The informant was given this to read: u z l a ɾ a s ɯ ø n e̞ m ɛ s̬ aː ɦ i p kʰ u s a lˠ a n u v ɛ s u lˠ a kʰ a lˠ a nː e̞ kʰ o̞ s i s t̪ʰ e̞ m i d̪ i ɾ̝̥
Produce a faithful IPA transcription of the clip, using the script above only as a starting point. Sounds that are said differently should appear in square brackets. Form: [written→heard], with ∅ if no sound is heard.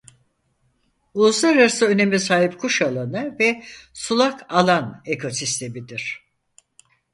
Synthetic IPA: u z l a ɾ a s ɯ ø n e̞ m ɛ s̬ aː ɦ i p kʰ u [s→ʃ] a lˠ a n [u→ɯ] v ɛ s u lˠ a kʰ a lˠ a [nː→n] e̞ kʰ o̞ s i s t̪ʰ e̞ m i d̪ i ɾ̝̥